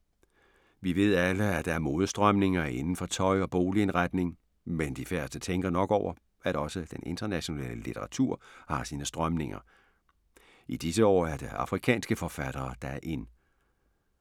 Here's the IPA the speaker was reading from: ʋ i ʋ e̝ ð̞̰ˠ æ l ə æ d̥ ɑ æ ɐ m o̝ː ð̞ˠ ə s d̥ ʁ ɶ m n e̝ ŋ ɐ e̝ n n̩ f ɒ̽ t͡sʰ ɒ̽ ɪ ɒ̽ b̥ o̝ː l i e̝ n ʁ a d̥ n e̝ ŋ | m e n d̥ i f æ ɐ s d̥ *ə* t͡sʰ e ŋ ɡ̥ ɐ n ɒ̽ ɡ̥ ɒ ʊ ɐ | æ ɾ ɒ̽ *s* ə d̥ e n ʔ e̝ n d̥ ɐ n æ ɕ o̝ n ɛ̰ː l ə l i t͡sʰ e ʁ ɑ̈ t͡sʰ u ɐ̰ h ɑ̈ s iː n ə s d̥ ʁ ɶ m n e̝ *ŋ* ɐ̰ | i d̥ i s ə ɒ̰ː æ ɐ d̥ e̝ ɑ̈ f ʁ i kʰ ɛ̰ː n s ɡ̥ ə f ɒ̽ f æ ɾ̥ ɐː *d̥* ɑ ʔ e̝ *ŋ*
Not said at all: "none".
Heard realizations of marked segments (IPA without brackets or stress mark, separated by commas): ə, s, ŋ, d̥, n